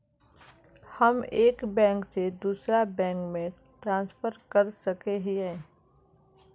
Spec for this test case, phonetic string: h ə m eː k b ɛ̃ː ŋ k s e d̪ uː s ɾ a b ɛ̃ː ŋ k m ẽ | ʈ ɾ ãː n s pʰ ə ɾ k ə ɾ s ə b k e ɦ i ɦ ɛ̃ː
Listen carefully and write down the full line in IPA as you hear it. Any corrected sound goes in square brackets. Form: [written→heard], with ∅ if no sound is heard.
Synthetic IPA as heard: h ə m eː k b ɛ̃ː ŋ k s e d̪ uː s ɾ a b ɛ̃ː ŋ k m ẽ | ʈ ɾ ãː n s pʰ ə ɾ k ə ɾ s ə [b→∅] k e ɦ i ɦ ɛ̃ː